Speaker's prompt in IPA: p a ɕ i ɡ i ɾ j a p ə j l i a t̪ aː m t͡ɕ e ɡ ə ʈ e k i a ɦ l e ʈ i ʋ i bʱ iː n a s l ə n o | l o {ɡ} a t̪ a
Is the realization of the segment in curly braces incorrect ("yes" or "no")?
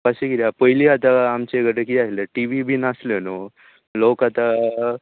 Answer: yes